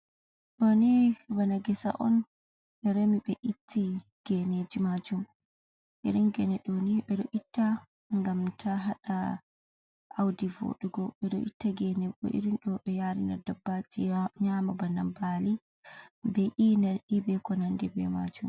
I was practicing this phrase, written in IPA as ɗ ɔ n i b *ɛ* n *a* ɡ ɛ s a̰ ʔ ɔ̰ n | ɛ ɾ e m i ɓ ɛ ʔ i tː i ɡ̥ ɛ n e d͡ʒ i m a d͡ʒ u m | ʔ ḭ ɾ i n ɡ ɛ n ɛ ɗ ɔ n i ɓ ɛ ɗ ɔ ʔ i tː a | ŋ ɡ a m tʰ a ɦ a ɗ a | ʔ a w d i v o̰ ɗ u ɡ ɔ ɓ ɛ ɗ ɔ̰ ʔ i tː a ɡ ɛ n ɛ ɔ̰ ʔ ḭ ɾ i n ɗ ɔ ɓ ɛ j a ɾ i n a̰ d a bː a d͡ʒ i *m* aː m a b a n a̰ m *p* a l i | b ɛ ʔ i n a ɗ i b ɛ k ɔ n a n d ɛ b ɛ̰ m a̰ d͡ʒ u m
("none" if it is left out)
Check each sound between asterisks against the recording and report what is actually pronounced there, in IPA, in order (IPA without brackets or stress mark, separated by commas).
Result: a, a, ɲ, b